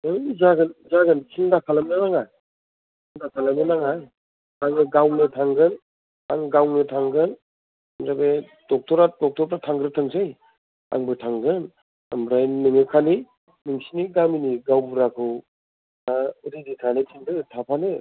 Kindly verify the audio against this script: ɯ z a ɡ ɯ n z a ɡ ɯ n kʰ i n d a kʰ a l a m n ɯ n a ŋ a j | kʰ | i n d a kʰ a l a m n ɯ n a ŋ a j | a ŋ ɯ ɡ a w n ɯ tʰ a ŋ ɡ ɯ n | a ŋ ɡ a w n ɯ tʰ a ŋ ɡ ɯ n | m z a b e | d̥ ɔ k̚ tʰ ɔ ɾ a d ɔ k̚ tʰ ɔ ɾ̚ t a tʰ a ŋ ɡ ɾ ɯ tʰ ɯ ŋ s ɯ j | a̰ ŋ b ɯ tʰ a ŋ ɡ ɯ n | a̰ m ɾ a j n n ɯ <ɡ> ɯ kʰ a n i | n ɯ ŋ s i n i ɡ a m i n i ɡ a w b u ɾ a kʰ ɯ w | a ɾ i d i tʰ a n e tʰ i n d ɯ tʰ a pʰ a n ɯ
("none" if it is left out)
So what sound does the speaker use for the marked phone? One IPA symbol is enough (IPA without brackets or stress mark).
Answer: ŋ